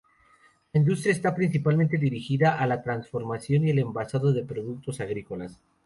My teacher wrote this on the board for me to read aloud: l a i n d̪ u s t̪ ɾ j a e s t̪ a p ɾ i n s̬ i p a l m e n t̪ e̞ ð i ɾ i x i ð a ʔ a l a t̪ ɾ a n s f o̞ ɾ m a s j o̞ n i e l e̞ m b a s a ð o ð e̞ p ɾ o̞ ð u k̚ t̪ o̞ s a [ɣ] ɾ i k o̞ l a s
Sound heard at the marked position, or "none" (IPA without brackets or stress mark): ɣ